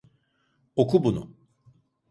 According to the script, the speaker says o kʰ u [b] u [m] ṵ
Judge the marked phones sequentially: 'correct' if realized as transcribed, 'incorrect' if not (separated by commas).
correct, incorrect